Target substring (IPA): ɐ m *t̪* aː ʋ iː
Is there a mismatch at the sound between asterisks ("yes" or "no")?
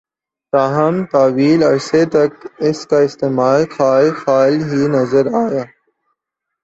no